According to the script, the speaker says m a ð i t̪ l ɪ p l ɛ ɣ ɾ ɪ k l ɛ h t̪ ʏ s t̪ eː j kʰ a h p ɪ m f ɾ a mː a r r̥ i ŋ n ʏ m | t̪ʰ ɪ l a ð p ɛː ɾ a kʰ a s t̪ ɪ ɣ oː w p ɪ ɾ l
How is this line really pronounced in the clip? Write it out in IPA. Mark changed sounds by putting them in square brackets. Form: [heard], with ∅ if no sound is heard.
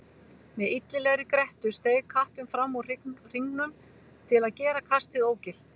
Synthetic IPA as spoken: m [ɛ] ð i t̪ l ɪ [∅] l ɛ ɣ ɾ ɪ k [ɾ] ɛ h t̪ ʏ s t̪ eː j kʰ a h p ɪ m f ɾ a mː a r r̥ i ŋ n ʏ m | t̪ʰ ɪ l a ð [c] ɛː ɾ a kʰ a s t̪ ɪ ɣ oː w [c] ɪ [∅] l